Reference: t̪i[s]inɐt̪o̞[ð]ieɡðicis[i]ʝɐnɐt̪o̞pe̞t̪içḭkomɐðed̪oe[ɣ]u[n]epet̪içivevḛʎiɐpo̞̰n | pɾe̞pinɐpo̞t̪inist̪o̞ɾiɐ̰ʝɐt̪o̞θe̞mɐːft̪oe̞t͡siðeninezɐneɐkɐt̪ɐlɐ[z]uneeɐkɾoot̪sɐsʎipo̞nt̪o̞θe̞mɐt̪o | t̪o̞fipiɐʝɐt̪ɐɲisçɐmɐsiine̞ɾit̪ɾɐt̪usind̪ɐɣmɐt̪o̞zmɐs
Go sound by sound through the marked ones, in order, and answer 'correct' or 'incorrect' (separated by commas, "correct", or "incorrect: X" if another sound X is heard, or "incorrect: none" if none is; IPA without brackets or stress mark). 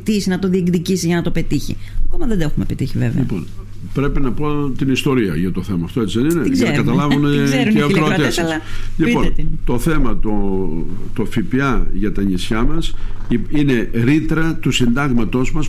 correct, correct, correct, incorrect: x, incorrect: m, incorrect: v